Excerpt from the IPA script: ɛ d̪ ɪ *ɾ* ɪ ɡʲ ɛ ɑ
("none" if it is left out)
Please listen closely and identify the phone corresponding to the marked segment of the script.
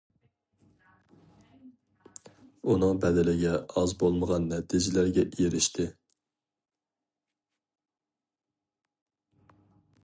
l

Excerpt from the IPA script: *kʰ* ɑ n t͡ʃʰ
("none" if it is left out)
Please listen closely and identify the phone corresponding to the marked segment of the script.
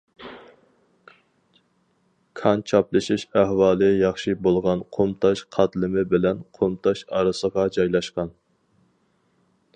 kʰ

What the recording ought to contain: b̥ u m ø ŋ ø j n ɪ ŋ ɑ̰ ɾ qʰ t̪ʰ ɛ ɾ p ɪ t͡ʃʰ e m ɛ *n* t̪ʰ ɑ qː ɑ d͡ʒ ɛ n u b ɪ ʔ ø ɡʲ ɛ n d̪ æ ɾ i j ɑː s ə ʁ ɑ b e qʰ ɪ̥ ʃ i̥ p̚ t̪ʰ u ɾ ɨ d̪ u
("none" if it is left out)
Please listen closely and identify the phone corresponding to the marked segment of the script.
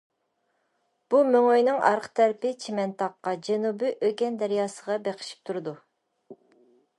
n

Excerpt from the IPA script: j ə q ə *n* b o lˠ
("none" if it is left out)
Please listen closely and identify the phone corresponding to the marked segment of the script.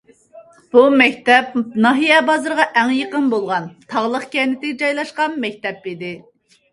n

